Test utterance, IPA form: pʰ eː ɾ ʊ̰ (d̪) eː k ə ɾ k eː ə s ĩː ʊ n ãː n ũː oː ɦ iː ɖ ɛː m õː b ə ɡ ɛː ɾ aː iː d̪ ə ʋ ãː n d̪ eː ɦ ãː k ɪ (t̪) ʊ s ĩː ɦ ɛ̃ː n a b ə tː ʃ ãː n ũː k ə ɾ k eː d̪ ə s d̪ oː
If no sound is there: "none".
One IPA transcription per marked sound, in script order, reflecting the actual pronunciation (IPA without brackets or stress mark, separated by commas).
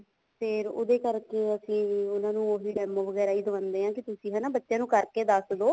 d̪, t̪